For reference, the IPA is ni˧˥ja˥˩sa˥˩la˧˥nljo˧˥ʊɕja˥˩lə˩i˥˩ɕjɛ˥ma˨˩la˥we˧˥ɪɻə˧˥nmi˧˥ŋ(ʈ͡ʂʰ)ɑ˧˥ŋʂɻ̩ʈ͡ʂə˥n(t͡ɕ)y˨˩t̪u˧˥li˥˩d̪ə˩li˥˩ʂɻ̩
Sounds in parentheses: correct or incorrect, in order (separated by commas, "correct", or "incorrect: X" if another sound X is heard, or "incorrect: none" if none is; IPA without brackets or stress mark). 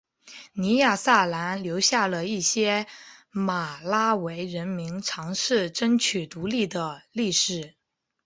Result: correct, incorrect: t͡ɕʰ